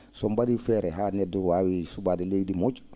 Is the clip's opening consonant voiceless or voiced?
voiceless